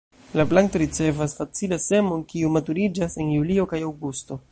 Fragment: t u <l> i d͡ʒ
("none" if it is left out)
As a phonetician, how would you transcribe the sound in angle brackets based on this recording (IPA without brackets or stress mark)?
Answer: ɾ